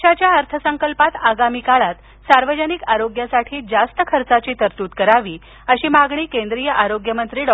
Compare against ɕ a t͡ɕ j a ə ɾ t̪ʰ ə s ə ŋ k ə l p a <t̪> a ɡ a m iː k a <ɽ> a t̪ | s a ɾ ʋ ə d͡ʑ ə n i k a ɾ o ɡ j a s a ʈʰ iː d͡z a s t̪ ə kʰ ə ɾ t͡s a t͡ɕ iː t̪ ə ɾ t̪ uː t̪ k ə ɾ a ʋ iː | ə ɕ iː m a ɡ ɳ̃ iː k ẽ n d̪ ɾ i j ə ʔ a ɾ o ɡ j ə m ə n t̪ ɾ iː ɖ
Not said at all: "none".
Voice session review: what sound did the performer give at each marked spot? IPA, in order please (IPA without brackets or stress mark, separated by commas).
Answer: t̪, ɭ